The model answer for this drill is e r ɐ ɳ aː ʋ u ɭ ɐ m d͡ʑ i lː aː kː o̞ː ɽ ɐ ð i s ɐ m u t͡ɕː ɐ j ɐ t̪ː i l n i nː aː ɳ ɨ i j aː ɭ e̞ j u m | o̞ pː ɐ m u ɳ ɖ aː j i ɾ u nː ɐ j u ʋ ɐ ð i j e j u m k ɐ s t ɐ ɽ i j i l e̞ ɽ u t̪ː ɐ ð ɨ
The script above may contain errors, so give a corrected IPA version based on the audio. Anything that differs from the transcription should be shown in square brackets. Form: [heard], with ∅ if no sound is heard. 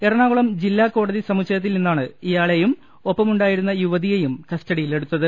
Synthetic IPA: e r ɐ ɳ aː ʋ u ɭ ɐ m d͡ʑ i lː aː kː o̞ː ɽ ɐ ð i s ɐ m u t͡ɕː ɐ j ɐ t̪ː i l n i nː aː ɳ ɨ i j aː ɭ e̞ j u m | o̞ pː ɐ m u ɳ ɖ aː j i ɾ u nː ɐ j u ʋ ɐ ð i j e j u m k ɐ s t ɐ ɽ i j i l e̞ ɽ u t̪ː ɐ ð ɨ